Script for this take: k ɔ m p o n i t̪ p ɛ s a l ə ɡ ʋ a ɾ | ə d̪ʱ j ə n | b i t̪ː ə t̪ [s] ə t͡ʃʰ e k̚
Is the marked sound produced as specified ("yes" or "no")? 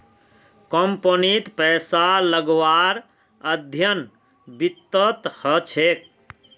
no